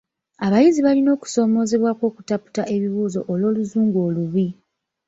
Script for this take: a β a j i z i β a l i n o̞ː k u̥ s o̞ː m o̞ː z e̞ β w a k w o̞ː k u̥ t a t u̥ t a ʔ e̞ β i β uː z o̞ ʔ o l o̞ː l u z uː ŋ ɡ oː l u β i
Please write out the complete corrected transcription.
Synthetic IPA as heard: a β a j i z i β a l i n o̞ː k u̥ s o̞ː m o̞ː z e̞ β w a k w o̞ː k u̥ t a p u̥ t a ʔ e̞ β i β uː z o̞ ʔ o l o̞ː l u z uː ŋ ɡ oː l u β i